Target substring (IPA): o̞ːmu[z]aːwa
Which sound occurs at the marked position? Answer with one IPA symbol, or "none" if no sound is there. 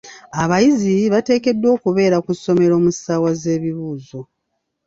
s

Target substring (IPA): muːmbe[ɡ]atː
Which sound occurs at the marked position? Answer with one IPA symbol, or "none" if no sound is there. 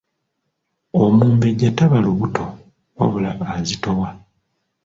ɟ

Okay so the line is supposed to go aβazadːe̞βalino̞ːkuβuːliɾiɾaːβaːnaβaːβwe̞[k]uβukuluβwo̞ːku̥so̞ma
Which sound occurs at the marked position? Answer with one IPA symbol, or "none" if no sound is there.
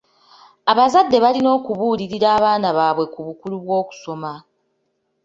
k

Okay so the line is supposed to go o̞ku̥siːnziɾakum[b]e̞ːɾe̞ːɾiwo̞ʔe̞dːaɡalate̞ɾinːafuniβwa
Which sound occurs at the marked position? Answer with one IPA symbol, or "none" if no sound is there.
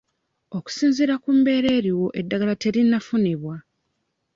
b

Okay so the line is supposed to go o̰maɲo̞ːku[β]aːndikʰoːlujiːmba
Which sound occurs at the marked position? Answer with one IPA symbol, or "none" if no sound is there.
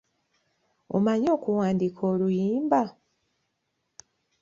w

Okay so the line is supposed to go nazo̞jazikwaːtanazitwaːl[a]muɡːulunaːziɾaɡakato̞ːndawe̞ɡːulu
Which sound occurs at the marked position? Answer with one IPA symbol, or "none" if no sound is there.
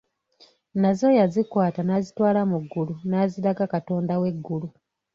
a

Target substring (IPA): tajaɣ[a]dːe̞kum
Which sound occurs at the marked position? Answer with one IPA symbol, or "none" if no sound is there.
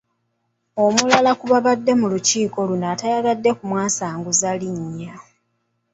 a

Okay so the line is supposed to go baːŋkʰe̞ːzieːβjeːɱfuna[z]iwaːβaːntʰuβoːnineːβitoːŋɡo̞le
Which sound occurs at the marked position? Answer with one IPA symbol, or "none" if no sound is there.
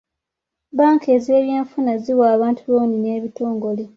z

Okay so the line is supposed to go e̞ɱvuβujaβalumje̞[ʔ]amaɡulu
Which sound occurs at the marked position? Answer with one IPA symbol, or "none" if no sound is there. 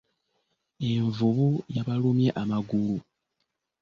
ʔ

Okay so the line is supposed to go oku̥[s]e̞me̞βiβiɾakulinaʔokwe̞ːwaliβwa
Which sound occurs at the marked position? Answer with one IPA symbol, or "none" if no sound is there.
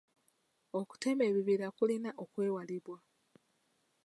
t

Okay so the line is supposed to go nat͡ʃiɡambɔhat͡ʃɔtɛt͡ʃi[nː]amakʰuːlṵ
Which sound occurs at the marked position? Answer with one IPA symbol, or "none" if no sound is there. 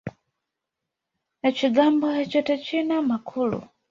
n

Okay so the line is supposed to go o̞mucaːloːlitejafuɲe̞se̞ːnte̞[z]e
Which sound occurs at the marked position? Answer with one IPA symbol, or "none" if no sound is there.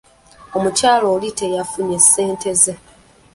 z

